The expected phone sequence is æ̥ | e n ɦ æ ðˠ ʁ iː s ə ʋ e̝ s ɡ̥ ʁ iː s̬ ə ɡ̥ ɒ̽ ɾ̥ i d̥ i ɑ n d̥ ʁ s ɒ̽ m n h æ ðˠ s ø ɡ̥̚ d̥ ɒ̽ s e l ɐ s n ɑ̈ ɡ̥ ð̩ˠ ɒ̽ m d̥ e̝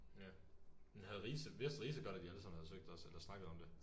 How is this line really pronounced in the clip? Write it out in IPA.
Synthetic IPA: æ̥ | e n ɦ æ ðˠ ʁ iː s ə ʋ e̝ s d̥ ʁ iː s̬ ə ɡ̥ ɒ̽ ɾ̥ æ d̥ i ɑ n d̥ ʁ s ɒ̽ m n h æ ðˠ s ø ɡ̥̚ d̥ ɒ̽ s e l ɐ s n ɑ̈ ɡ̥ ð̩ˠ ɒ̽ m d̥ e̝